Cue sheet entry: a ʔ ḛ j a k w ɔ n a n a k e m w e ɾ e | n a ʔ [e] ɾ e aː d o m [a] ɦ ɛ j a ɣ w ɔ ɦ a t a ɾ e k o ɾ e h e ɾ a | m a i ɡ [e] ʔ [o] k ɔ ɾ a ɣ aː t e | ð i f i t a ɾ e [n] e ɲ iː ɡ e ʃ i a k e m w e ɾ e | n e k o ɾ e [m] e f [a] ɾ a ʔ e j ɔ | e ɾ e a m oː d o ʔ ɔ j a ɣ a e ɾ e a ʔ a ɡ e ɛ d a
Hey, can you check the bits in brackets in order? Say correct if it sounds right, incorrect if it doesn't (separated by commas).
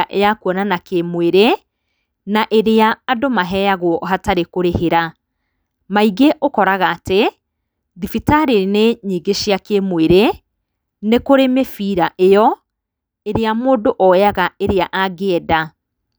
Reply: correct, correct, correct, correct, correct, correct, incorrect